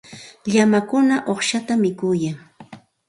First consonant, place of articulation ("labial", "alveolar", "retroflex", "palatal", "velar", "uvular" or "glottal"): palatal